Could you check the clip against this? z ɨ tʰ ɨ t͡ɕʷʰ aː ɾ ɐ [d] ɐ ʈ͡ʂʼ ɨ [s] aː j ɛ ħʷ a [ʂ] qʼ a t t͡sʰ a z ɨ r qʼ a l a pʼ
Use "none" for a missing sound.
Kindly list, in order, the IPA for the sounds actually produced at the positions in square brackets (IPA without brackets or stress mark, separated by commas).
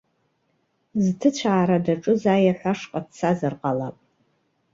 d, z, ʂ